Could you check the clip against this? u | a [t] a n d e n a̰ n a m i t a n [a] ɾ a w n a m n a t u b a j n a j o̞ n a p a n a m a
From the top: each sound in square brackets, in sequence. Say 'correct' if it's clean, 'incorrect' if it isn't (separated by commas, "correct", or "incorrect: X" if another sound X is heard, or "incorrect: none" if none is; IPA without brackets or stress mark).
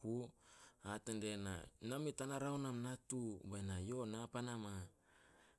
correct, correct